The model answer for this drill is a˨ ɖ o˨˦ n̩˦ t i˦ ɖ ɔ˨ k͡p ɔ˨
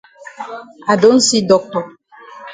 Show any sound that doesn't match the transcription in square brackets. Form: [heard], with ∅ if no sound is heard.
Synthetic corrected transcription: a˨ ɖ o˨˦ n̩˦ [s] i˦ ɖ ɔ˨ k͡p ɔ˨

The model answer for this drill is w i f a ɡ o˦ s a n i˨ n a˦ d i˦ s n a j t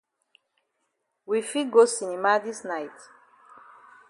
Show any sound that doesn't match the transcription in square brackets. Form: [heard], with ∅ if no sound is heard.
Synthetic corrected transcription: w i f [i] ɡ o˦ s [i] n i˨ [m] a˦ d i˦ s n a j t

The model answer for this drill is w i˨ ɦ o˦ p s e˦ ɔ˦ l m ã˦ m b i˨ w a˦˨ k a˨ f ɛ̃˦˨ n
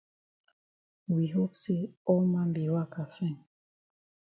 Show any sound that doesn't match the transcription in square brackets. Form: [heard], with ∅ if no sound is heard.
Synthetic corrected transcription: w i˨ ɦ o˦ p s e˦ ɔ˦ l m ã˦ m b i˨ w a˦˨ k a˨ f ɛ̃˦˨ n

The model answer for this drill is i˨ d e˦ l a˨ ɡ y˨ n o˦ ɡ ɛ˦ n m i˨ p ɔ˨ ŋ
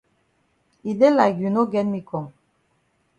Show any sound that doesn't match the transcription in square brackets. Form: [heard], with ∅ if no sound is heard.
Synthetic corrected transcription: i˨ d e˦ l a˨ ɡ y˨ n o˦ ɡ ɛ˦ n m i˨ [k] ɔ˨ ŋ

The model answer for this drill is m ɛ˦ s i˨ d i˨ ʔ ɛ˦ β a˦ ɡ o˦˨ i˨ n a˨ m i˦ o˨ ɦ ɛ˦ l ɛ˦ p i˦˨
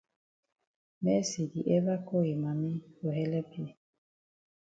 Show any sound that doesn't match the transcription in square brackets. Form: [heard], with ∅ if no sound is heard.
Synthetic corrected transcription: m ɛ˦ s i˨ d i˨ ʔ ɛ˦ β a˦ [k] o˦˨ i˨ [m] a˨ m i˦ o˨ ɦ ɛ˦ l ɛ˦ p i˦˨

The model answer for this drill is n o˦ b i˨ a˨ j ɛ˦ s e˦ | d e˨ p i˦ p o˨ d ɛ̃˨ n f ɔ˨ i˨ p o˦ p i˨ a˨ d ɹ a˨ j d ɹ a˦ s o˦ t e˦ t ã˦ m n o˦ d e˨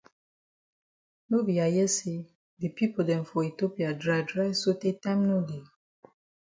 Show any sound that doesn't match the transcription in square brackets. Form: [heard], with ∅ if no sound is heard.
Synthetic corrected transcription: n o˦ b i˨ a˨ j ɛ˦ s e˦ | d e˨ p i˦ p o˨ d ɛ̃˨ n f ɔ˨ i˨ [t] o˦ p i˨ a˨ d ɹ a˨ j d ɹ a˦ s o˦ t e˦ t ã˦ m n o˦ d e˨

